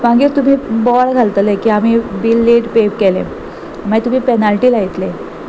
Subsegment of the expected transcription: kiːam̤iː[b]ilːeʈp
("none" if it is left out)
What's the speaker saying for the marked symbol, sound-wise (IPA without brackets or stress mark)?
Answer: b